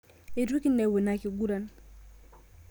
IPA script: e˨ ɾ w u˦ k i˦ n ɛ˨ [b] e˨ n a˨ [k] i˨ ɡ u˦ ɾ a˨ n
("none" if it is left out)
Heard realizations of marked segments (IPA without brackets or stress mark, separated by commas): w, k